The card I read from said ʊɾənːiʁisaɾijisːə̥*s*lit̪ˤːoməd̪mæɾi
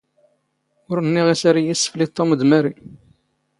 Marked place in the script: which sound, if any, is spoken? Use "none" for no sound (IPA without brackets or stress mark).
f